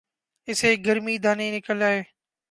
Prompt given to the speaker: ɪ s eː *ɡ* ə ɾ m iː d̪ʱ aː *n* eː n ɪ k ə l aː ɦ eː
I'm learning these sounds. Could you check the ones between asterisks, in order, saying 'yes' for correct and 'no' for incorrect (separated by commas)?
yes, yes